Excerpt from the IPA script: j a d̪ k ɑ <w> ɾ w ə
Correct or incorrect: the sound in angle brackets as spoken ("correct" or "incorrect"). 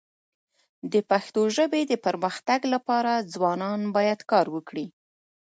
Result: incorrect